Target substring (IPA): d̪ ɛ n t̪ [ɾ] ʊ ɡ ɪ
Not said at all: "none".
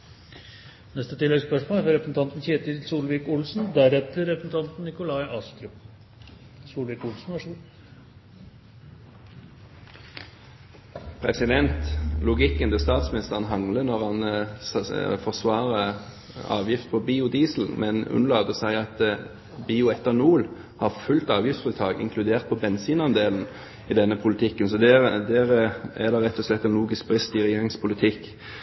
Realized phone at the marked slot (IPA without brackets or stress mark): l